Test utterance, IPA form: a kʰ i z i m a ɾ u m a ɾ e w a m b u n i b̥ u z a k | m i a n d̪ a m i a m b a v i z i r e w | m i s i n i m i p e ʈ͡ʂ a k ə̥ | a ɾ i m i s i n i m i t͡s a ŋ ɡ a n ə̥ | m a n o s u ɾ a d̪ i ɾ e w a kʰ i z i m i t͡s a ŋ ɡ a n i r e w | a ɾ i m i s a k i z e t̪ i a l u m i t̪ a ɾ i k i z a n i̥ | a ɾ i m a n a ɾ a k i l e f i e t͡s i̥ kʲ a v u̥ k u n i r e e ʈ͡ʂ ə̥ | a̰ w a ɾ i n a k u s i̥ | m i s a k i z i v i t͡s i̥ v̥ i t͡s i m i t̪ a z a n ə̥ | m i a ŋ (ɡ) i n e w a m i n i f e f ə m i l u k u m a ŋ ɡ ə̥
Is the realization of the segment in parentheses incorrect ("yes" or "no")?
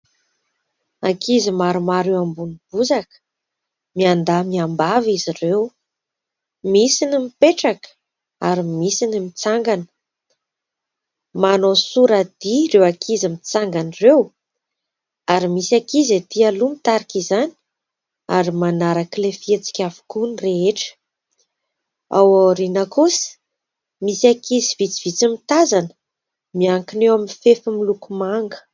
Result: yes